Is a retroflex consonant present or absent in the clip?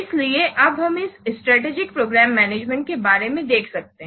present